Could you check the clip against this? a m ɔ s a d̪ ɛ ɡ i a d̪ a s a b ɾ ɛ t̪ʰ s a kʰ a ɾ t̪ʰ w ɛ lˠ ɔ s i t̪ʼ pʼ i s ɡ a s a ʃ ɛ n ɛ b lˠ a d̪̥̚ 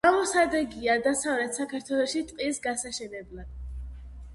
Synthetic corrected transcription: a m ɔ s a d̪ ɛ ɡ i a d̪ a s a v ɾ ɛ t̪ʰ s a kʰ a ɾ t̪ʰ w ɛ lˠ ɔ ʃ i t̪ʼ qʼ i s ɡ a s a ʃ ɛ n ɛ b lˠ a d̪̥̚